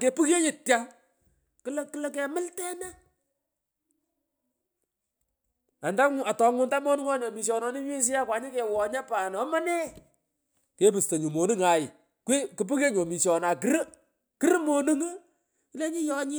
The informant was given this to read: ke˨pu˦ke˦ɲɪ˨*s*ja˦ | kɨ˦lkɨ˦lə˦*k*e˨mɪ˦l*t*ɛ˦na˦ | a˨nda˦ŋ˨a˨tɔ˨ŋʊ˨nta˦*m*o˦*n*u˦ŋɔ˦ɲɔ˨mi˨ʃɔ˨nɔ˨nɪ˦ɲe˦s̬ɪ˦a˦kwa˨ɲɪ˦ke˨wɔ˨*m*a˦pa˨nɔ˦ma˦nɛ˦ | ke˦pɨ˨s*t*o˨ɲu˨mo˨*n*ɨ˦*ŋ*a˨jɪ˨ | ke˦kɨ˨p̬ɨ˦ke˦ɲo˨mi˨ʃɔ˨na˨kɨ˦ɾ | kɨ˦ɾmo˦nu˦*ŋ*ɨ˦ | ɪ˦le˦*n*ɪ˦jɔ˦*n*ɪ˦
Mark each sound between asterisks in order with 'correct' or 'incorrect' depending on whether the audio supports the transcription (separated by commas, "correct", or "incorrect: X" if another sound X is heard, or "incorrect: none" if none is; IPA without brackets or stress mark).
incorrect: t, correct, correct, correct, correct, incorrect: ɲ, correct, correct, correct, correct, incorrect: ɲ, incorrect: ɲ